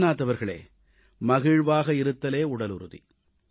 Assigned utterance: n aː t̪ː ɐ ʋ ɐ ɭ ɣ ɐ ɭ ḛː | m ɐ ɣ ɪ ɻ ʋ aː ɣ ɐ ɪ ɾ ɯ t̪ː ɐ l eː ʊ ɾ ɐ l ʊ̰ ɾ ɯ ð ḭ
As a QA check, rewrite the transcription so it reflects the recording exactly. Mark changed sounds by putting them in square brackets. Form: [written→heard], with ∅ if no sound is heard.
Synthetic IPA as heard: n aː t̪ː ɐ ʋ ɐ [ɭ→ɾ] ɣ ɐ ɭ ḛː | m ɐ ɣ ɪ ɻ ʋ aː ɣ ɐ ɪ ɾ ɯ t̪ː ɐ l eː ʊ [ɾ→ɽ] ɐ l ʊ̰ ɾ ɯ ð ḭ